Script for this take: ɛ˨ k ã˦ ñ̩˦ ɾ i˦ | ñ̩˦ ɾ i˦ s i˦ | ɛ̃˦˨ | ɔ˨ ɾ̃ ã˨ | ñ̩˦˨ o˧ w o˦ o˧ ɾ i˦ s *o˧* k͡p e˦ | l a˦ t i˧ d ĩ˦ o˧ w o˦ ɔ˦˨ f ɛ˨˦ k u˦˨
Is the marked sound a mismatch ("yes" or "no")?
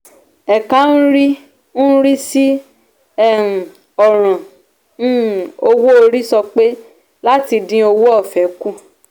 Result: yes